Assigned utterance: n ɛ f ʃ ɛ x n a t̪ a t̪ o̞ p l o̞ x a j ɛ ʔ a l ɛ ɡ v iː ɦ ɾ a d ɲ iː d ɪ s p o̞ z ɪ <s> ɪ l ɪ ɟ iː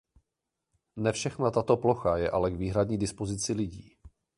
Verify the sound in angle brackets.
incorrect: t͡s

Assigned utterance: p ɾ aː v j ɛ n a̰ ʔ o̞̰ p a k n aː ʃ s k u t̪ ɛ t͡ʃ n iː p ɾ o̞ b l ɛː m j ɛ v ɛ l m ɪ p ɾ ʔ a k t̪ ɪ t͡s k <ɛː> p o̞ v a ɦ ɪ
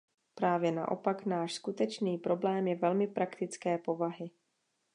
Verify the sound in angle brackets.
correct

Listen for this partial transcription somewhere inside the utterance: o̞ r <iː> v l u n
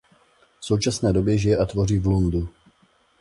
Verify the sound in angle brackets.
correct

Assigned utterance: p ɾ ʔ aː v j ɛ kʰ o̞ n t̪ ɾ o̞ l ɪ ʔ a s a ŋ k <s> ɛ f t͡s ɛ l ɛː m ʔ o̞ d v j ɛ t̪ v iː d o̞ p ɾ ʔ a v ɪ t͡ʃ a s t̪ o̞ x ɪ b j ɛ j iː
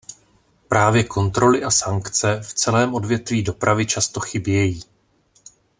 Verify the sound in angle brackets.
incorrect: t͡s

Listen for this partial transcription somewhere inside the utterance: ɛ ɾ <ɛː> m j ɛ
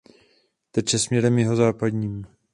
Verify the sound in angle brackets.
incorrect: ɛ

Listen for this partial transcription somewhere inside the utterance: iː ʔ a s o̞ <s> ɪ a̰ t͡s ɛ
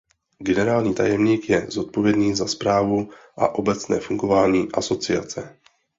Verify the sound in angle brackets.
incorrect: t͡s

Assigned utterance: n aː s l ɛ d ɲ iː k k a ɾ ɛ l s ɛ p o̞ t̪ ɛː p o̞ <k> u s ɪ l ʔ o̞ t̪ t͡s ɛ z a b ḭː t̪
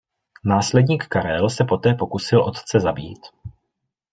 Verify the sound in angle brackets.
correct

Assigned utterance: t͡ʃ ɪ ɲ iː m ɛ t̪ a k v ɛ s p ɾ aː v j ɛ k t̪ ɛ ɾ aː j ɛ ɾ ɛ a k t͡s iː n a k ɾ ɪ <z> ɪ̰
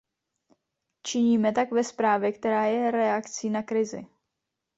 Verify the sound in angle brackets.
correct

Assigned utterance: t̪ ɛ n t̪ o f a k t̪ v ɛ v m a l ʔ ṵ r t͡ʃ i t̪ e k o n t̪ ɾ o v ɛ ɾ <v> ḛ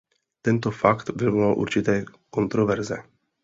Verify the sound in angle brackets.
incorrect: z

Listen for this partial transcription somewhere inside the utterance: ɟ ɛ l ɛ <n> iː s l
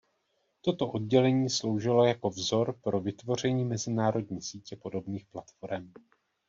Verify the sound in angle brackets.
incorrect: ɲ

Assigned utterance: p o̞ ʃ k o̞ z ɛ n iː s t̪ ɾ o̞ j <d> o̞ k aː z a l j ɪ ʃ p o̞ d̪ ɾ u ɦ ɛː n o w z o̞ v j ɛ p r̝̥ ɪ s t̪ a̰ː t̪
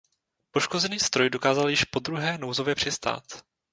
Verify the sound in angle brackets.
correct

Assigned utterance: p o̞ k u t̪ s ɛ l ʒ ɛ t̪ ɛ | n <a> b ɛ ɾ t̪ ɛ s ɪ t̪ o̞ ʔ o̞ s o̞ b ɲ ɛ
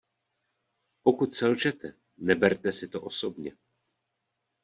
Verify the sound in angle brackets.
incorrect: ɛ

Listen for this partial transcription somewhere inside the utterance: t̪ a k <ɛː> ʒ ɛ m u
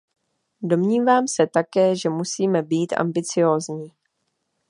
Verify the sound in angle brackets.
correct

